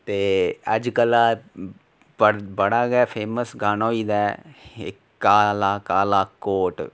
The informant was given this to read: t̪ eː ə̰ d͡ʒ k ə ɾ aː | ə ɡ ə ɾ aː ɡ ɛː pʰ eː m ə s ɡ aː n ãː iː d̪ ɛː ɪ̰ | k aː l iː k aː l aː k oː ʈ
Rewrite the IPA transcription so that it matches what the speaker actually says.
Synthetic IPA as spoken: t̪ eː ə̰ d͡ʒ k ə l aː | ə b ə ɽ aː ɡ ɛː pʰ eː m ə s ɡ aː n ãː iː d̪ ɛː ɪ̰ | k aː l aː k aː l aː k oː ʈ

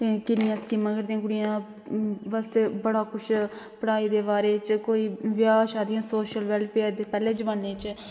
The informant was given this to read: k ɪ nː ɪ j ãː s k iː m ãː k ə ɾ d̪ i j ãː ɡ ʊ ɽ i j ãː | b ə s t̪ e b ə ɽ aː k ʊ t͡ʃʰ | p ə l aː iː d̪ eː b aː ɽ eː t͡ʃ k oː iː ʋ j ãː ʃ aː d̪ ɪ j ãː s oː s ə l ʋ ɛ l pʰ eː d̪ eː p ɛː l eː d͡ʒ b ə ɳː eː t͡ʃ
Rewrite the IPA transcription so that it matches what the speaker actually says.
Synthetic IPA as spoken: k ɪ n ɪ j ãː s k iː m ãː k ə ɾ d̪ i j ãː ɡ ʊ ɽ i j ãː | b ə s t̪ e b ə ɽ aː k ʊ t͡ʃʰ | p ə ɽ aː iː d̪ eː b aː ɾ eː t͡ʃ k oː iː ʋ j aː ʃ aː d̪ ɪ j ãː s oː ʃ ə l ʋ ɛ l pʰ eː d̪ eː p ɛː l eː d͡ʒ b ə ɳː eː t͡ʃ

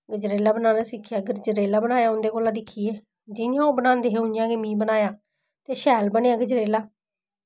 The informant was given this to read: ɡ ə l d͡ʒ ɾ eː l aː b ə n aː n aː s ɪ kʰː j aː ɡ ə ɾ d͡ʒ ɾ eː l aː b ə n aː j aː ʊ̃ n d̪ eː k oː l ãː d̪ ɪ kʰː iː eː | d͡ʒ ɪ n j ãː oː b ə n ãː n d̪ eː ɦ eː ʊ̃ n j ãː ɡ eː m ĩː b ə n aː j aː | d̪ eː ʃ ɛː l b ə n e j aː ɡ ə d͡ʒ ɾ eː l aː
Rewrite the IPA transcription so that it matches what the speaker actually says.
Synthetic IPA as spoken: ɡ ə d͡ʒ ɾ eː l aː b ə n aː n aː s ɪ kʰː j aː ɡ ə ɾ d͡ʒ ɾ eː l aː b ə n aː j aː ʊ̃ n d̪ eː k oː l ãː d̪ ɪ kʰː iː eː | d͡ʒ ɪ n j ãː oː b ə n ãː n d̪ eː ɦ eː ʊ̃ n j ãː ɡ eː m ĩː b ə n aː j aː | t̪ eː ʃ ɛː l b ə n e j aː ɡ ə d͡ʒ ɾ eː l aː

